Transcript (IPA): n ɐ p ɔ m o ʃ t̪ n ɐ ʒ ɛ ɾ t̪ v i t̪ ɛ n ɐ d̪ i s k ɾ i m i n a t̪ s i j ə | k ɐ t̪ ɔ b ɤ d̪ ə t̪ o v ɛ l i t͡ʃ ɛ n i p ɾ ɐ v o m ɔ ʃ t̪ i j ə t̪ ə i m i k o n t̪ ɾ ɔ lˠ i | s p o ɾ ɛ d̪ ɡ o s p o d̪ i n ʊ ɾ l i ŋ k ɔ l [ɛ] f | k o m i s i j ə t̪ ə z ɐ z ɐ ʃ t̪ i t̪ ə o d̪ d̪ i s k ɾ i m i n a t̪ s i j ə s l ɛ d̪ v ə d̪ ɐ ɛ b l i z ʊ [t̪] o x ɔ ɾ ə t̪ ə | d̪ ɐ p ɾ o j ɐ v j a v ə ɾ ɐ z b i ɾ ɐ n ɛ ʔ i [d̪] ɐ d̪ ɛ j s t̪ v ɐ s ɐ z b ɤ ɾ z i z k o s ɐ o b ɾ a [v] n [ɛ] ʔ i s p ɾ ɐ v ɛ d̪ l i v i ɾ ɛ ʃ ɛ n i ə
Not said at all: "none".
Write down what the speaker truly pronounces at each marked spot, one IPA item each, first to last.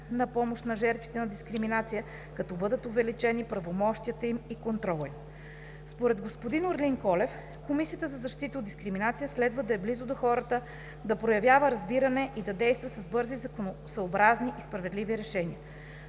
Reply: ɛ, d̪, d̪, z, i

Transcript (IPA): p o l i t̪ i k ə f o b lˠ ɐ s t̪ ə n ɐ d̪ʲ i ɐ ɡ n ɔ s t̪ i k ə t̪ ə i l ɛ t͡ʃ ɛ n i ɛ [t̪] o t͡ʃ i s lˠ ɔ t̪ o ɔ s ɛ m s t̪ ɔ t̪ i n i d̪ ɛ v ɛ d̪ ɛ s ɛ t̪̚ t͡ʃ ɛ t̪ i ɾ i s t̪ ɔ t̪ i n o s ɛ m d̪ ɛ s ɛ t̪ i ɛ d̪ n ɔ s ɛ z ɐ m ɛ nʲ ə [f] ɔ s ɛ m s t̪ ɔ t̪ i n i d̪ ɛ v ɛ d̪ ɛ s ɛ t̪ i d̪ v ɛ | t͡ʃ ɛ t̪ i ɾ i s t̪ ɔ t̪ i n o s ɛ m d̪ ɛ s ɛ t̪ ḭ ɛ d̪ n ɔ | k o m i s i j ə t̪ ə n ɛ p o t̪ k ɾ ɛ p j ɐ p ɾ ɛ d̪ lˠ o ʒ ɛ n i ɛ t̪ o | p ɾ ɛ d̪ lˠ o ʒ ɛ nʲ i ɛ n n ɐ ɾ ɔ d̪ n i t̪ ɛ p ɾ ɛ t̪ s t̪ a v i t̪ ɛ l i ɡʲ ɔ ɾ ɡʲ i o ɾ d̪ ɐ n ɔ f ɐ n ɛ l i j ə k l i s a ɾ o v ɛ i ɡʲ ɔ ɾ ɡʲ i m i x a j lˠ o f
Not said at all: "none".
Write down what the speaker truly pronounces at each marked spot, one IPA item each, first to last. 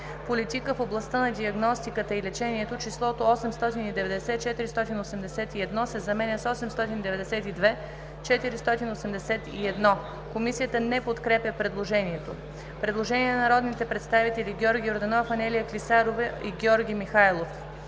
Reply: t̪, s

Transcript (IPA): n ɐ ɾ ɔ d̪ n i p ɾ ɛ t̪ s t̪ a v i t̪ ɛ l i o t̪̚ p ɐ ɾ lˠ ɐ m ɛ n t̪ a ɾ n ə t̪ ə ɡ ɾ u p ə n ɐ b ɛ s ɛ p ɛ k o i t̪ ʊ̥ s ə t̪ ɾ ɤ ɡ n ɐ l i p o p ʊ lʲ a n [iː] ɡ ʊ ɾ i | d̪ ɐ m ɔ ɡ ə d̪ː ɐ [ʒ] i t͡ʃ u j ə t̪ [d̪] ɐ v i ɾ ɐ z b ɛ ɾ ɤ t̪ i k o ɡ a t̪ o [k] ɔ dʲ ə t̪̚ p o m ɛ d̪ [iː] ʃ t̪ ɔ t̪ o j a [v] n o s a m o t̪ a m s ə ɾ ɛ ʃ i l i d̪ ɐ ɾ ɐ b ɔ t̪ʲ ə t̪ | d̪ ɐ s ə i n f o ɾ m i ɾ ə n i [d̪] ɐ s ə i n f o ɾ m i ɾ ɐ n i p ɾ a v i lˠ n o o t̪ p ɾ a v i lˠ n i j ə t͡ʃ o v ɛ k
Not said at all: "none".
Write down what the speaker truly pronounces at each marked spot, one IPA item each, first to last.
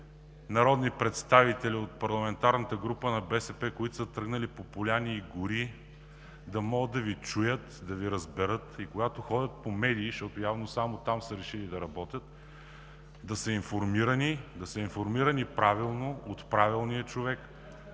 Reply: iː, v, d̪, x, iː, v, d̪

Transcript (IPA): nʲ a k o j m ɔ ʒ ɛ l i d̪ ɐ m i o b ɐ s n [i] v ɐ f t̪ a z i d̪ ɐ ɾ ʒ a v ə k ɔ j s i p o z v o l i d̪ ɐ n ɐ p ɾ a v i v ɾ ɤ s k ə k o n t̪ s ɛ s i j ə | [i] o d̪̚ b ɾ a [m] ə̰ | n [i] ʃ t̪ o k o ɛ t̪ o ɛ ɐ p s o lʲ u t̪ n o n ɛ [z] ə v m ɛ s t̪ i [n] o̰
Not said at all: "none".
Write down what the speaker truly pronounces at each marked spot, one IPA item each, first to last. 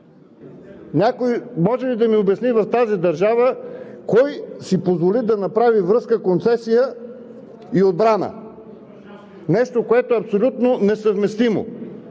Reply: i, i, n, ɛ, s, m

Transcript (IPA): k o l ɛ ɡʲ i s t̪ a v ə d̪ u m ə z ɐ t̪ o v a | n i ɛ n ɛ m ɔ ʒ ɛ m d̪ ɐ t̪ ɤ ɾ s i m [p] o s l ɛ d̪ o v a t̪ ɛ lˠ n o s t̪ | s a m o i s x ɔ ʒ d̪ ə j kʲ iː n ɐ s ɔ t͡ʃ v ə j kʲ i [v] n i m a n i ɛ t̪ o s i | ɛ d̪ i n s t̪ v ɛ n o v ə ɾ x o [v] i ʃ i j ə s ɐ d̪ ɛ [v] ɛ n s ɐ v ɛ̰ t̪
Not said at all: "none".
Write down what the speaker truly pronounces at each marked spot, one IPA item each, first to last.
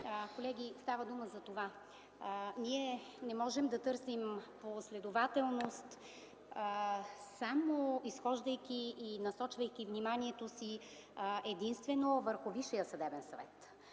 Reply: p, v, v, b

